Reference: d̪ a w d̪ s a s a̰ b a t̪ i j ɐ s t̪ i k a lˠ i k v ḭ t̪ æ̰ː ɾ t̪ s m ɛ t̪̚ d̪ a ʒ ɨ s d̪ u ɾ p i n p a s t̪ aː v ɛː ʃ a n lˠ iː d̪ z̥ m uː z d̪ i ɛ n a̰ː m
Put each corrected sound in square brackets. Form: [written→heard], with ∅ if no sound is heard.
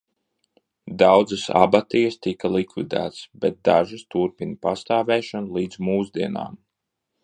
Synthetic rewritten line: d̪ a w d̪ [s→z] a s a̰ b a t̪ i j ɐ s t̪ i k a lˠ i k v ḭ [t̪→d̪] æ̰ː [ɾ→∅] t̪ s [m→b] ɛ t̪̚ d̪ a ʒ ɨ s [d̪→t̪] u ɾ p i n p a s t̪ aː v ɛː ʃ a n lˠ iː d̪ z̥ m uː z d̪ i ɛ n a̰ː m